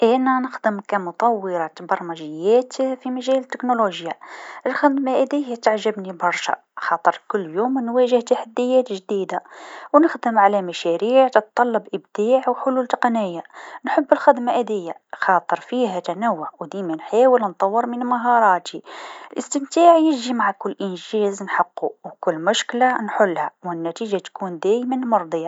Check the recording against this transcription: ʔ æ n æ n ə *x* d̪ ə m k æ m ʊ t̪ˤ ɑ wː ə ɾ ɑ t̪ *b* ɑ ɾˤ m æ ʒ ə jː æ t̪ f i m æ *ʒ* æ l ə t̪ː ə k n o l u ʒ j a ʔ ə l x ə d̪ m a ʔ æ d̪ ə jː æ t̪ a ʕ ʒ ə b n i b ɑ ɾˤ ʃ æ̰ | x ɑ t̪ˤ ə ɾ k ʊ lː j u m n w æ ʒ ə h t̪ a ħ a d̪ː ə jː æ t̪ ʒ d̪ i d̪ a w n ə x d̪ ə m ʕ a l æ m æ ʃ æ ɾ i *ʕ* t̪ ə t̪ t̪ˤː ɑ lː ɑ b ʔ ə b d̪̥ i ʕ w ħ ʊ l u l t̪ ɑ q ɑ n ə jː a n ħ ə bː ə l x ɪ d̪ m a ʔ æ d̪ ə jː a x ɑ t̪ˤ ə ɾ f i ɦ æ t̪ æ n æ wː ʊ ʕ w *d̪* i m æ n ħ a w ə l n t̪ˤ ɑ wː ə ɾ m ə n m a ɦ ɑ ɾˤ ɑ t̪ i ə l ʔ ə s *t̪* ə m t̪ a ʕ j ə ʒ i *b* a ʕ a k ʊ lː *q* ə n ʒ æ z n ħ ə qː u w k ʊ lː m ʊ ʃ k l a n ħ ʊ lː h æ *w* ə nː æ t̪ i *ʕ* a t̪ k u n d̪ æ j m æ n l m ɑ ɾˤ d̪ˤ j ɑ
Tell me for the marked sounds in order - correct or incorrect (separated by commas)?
correct, correct, correct, correct, correct, correct, incorrect, incorrect, correct, incorrect